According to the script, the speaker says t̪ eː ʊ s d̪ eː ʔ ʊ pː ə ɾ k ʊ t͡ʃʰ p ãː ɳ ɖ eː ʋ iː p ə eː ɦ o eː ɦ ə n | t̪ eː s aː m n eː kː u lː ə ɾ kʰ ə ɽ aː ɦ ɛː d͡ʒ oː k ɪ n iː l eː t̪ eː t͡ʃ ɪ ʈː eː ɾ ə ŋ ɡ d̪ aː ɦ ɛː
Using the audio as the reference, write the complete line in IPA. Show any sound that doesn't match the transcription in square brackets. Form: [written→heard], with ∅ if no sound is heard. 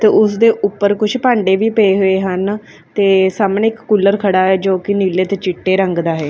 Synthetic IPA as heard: t̪ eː ʊ s d̪ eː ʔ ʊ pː ə ɾ k ʊ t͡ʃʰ p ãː ɳ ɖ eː ʋ iː p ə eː ɦ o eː ɦ ə n | t̪ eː s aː m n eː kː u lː ə ɾ kʰ ə ɽ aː ɦ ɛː d͡ʒ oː k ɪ n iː l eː t̪ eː t͡ʃ ɪ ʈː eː ɾ ə ŋ ɡ d̪ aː ɦ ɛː